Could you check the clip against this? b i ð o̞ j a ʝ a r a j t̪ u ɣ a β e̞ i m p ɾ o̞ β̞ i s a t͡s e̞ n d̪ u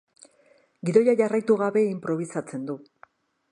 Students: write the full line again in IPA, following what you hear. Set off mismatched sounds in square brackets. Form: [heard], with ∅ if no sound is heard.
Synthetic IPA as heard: [ɡ] i ð o̞ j a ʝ a r a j t̪ u ɣ a β e̞ i m p ɾ o̞ β̞ i s a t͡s e̞ n d̪ u